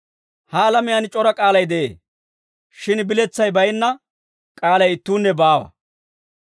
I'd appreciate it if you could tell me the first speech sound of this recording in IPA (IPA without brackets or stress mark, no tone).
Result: h